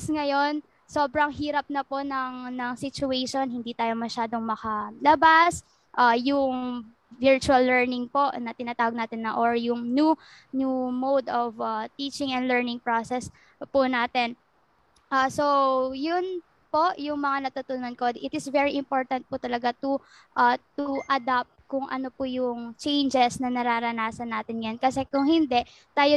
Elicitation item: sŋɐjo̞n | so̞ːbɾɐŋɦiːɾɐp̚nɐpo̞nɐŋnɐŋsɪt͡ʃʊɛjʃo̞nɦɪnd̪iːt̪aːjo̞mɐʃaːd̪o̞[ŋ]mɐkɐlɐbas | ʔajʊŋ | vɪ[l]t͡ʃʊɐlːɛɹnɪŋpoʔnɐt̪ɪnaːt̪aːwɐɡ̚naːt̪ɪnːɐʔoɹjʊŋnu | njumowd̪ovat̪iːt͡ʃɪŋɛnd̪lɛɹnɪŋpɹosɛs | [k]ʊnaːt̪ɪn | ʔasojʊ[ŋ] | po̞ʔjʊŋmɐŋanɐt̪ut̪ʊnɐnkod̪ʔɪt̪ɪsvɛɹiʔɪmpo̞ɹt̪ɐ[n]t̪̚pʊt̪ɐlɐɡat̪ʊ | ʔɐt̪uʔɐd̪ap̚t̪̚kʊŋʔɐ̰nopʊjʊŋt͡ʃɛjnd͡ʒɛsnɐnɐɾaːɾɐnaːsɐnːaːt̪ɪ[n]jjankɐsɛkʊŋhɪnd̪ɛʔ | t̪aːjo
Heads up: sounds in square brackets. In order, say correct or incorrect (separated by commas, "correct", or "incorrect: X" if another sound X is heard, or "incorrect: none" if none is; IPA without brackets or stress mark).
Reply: correct, incorrect: ɹ, incorrect: p, incorrect: n, correct, correct